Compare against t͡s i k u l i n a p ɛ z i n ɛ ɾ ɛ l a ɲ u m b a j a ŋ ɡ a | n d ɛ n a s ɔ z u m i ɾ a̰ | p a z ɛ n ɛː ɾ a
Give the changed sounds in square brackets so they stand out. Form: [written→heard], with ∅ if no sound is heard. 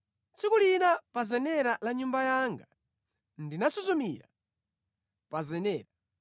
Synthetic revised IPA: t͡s i k u l i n a p [ɛ→a] z [i→ɛ] n ɛ ɾ [ɛ→a] l a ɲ u m b a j a ŋ ɡ a | n d [ɛ→i] n a s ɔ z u m i ɾ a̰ | p a z ɛ n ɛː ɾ a